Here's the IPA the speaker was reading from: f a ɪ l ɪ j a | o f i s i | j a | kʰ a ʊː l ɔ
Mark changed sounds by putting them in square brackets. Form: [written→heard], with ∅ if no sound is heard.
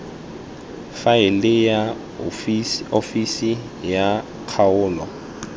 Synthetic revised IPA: f a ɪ l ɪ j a | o f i s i | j a | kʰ a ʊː l ɔ